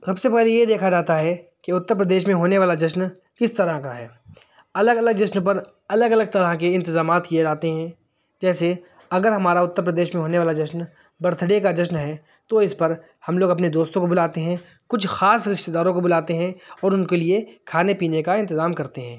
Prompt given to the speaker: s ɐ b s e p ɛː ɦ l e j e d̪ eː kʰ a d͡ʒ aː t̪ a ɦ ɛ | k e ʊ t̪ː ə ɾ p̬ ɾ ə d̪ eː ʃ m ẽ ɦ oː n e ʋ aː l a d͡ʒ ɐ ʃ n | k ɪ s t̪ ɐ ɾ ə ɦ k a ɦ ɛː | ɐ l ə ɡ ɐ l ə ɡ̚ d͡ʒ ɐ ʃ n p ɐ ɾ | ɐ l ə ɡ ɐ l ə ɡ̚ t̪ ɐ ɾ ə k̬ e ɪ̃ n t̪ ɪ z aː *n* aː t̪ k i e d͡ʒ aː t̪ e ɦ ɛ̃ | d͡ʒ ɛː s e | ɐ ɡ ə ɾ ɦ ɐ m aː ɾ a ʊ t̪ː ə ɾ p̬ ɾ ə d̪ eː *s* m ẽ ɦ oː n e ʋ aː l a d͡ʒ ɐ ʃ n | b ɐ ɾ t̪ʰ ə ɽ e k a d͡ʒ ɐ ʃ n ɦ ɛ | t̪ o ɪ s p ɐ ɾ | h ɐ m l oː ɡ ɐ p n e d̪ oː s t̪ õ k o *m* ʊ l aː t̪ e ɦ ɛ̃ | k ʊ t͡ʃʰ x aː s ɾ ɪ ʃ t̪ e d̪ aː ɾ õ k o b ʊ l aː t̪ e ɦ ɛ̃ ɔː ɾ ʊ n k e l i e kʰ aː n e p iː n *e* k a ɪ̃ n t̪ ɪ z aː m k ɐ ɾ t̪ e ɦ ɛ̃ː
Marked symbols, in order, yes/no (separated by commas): no, no, no, yes